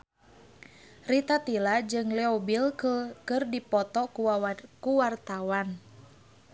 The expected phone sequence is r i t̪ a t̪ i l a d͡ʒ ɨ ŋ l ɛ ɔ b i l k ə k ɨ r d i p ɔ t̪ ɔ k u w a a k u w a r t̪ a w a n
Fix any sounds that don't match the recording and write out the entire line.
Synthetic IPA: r i t̪ a t̪ i l a d͡ʒ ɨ ŋ l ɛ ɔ b i l k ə k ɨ r d i p ɔ t̪ ɔ k u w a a k u w a r t̪ a w a n